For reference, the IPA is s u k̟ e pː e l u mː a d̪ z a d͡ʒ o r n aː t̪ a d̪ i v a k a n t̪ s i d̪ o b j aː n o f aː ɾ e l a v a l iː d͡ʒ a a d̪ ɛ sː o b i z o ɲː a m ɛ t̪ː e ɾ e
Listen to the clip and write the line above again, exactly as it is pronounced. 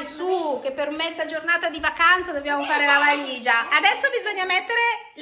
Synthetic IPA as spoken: s u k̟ e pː e ɾ u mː ɛ d̪ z a d͡ʒ o r n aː t̪ a d̪ i v a k a n t̪ s a d̪ o b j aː m o f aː ɾ e l a v a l iː d͡ʒ a a d̪ ɛ sː o b i z o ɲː a m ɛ t̪ː e ɾ e